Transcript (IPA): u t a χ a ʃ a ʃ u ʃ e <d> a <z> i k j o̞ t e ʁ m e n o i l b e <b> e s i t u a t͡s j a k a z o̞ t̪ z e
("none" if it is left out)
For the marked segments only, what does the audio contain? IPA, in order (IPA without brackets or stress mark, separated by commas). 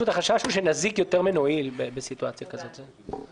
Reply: n, z, b